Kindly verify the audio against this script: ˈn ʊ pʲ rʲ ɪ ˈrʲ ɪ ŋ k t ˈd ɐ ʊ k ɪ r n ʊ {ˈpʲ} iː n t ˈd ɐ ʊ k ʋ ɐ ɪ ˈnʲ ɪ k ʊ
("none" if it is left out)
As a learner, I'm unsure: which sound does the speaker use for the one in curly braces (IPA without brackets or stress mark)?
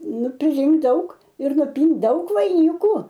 pʲ